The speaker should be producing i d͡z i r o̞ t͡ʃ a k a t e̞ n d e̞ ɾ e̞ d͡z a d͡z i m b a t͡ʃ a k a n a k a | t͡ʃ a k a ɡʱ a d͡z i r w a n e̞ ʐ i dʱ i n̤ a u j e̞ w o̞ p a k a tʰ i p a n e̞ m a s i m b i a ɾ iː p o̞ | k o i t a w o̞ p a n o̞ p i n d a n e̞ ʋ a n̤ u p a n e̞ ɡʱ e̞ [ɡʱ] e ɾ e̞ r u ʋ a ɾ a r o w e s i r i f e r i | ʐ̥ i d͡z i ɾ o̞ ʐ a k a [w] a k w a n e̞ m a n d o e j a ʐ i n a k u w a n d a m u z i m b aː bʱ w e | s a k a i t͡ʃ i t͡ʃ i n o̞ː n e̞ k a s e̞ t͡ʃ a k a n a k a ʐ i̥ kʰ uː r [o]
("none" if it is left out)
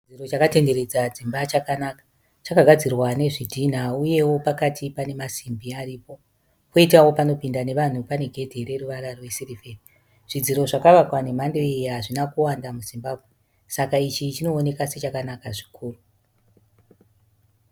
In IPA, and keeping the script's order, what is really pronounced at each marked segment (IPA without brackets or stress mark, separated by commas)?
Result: dʱ, ʋ, u